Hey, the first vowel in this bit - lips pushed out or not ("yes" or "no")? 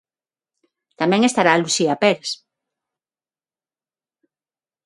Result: no